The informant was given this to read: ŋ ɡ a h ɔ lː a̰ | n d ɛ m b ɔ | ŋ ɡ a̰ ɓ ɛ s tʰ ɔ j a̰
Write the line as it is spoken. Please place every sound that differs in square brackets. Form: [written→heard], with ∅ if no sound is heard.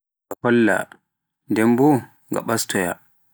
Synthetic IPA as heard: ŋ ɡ a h ɔ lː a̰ | n d ɛ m b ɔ | ŋ ɡ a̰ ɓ [ɛ→a] s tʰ ɔ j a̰